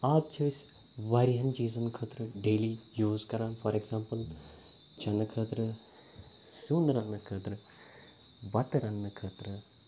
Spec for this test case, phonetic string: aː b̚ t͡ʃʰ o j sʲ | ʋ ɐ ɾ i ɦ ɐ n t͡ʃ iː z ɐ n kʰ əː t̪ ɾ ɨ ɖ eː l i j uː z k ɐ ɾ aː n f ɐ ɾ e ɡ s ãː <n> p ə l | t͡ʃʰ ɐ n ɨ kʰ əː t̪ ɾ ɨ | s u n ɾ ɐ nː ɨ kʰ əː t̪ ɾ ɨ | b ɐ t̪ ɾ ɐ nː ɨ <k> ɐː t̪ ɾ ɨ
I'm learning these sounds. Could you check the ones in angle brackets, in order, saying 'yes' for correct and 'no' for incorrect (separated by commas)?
no, no